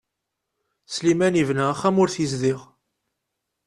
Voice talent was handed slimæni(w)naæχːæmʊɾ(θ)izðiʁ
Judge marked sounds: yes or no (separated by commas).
no, yes